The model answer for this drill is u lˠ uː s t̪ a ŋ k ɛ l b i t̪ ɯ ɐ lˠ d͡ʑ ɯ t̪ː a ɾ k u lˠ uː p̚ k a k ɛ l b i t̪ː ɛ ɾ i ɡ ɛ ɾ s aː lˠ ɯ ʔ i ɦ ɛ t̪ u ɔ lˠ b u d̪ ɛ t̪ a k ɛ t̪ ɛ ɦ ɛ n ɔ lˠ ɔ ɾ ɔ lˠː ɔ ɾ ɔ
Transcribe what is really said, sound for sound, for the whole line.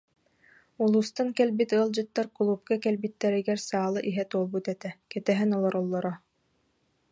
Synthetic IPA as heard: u lˠ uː s t̪ a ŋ k ɛ l b i t̪ ɯ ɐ lˠ d͡ʑ ɯ t̪ː a ɾ k u lˠ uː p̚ k a k ɛ l b i t̪ː ɛ ɾ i ɡ ɛ ɾ s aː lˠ ɯ ʔ i ɦ ɛ t̪ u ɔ lˠ b u t̪ ɛ t̪ ɛ k ɛ t̪ ɛ ɦ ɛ n ɔ lˠ ɔ ɾ ɔ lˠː ɔ ɾ ɔ